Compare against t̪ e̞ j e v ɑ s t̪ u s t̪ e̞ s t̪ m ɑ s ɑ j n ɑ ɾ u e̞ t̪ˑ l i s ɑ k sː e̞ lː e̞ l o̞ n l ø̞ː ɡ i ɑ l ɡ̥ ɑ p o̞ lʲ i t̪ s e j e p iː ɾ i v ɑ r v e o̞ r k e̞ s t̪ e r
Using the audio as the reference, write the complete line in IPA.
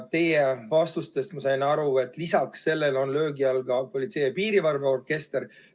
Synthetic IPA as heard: t̪ e̞ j e v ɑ s t̪ u s t̪ e̞ s t̪ m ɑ s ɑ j n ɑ ɾ u e̞ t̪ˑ l i s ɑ k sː e̞ lː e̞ l o̞ n l ø̞ː ɡ i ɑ l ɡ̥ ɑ p o̞ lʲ i t̪ s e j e p iː ɾ i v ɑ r v e o̞ r k e̞ s t̪ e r